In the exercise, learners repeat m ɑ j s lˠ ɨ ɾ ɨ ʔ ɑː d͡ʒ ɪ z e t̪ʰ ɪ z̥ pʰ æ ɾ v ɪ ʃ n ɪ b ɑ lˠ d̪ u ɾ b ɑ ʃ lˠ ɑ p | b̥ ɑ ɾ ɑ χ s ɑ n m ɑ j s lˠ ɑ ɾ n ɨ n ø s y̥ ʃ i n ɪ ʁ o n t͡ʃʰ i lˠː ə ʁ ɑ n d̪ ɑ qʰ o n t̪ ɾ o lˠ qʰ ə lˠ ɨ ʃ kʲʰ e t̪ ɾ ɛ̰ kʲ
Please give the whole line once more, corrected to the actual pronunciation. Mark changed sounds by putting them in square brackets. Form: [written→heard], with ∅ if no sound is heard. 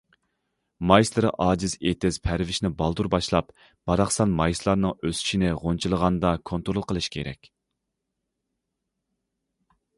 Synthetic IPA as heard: m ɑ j s lˠ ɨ ɾ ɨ ʔ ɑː d͡ʒ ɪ z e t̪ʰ ɪ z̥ pʰ æ ɾ v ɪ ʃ n ɪ b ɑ lˠ d̪ u ɾ b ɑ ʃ lˠ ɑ p | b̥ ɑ ɾ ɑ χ s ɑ n m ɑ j s lˠ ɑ ɾ n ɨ [n→ŋ] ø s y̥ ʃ i n ɪ ʁ o n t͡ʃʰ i [lˠː→lˠ] ə ʁ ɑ n d̪ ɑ [qʰ→kʰ] o n t̪ ɾ o lˠ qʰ ə lˠ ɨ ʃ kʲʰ e [t̪→∅] ɾ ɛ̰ kʲ